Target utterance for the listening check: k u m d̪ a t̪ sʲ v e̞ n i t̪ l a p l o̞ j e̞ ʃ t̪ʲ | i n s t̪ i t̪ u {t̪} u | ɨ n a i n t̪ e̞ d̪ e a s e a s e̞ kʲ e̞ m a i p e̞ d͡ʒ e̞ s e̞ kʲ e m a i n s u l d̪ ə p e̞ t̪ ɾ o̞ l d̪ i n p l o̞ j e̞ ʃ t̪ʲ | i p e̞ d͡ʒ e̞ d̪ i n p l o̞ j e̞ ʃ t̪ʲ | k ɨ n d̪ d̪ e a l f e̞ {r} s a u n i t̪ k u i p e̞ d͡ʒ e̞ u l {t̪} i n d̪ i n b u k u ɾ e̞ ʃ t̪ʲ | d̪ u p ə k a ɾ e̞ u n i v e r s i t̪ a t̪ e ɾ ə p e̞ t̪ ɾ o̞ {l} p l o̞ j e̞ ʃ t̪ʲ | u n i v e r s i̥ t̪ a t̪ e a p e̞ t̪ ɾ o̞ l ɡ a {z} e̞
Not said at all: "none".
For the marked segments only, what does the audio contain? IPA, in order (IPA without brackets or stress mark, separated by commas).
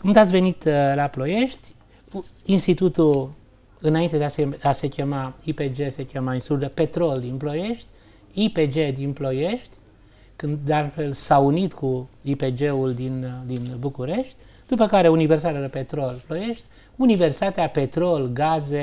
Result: t̪, l, d̪, l, z